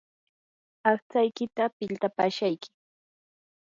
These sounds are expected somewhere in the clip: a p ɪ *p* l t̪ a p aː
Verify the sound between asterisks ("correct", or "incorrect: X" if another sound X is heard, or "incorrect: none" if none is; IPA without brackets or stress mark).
incorrect: none